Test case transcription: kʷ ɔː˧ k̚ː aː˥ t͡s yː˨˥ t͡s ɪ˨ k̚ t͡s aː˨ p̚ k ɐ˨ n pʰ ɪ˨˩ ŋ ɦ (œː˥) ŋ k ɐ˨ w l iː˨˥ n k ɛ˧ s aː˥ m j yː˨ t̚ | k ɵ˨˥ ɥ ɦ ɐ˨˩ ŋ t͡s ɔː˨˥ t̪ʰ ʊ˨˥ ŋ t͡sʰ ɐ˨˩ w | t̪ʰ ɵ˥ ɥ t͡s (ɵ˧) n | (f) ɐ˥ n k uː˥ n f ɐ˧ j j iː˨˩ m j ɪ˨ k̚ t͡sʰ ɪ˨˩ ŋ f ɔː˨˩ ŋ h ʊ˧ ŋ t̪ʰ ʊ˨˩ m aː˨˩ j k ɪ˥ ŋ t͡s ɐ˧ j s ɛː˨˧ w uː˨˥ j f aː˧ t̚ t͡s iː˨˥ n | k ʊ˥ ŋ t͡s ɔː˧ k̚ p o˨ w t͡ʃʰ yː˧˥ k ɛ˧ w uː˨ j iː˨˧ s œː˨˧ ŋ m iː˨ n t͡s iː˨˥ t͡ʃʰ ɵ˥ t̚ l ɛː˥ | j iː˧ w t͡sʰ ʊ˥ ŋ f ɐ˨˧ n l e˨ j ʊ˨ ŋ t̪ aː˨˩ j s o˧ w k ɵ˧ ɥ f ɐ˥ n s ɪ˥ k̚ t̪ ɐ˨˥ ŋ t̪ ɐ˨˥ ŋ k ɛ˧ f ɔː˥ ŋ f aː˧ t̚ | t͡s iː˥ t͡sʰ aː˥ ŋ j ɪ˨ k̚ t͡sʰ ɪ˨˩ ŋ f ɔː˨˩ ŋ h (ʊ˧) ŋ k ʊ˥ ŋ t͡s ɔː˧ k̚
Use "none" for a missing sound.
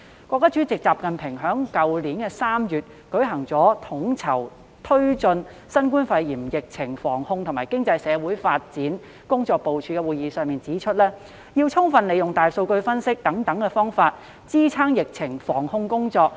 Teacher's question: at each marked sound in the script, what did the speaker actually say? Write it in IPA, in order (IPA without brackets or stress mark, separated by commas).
œː˨˥, ɵ˧, s, ʊ˧